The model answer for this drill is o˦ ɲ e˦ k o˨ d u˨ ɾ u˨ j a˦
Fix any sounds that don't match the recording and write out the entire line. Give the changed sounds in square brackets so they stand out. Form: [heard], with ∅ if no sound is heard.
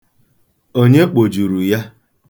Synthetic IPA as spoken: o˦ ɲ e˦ [k͡p] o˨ [d͡ʒ] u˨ ɾ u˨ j a˦